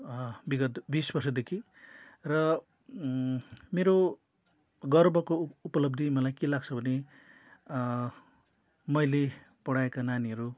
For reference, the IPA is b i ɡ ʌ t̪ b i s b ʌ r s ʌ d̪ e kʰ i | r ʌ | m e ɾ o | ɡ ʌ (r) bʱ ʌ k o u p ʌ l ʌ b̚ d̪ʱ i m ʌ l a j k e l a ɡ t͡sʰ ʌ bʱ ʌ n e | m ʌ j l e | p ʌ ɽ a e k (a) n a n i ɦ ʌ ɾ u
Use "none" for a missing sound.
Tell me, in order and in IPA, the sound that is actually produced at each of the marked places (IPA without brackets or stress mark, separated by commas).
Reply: r, a